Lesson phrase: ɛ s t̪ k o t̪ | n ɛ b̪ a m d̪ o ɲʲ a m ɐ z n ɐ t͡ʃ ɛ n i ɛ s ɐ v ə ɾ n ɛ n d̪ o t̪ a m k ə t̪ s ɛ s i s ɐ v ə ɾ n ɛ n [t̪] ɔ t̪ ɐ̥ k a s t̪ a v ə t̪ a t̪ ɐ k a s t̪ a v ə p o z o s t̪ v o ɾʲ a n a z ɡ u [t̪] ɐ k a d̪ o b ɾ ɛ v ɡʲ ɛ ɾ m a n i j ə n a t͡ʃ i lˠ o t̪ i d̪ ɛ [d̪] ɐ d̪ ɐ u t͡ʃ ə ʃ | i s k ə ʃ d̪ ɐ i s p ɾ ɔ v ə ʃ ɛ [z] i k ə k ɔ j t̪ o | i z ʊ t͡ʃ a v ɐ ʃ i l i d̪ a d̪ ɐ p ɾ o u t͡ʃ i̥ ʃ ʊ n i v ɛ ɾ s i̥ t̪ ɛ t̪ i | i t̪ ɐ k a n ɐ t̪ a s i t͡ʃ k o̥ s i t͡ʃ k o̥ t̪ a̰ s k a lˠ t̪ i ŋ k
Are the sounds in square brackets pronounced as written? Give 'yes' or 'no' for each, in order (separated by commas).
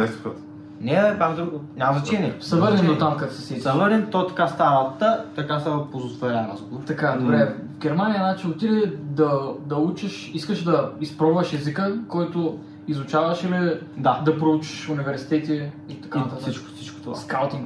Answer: yes, yes, yes, yes